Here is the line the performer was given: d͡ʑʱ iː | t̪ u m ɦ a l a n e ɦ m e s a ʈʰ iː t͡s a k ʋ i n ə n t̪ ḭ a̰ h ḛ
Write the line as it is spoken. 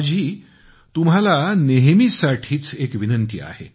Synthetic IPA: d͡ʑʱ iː | t̪ u m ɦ a l a n e ɦ m i s a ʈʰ iː t͡s e k ʋ i n ə n t̪ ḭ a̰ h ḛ